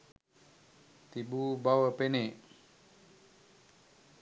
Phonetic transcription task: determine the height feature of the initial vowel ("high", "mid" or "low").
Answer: high